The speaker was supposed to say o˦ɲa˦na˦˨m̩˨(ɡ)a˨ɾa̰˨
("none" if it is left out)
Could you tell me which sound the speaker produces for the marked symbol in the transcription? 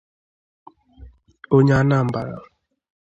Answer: b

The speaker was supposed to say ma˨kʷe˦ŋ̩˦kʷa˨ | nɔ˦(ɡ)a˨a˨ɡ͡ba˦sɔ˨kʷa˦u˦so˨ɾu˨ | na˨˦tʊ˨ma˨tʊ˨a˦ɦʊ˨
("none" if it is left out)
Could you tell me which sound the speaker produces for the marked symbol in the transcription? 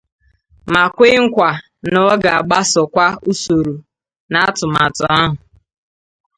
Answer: ɡ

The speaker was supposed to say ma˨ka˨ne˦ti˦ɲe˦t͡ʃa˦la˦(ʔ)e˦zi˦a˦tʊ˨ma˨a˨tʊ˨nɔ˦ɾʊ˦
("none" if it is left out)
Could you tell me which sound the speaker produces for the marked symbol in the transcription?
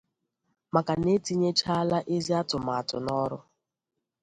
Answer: ʔ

